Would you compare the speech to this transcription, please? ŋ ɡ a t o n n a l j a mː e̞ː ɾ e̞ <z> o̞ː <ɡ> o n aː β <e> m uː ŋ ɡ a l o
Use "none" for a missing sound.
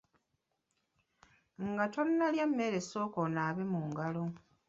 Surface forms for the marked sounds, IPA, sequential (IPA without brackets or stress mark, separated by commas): s, k, e